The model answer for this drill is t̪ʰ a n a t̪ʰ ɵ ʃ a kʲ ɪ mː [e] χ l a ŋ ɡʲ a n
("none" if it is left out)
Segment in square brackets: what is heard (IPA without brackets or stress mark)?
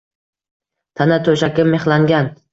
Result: e